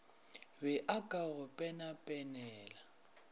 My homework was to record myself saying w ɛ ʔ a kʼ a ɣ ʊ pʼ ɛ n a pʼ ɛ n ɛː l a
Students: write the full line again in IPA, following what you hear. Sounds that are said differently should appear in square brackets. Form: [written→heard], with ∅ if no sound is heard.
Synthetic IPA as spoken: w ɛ ʔ a kʼ a ɣ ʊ pʼ ɛ n a pʼ ɛ n ɛː l a